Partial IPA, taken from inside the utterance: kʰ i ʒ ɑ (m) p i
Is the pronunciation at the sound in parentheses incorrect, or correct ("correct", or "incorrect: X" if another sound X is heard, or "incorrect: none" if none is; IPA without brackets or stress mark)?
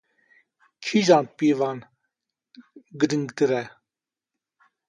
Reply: incorrect: n